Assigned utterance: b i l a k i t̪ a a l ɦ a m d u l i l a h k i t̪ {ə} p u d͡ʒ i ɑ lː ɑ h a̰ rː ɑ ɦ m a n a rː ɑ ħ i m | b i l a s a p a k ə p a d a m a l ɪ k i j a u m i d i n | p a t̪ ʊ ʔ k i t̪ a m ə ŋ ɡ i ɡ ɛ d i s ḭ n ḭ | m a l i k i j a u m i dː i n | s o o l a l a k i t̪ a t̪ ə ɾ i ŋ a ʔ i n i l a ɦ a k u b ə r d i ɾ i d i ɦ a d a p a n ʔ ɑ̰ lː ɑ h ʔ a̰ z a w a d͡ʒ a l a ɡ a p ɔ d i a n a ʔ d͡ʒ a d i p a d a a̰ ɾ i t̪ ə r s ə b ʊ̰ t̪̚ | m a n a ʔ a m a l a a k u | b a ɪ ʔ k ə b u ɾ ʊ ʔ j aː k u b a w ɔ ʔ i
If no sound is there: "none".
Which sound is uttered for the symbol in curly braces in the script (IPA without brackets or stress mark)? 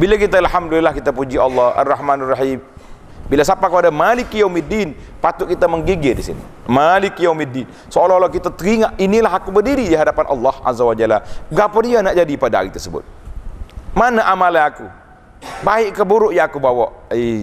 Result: a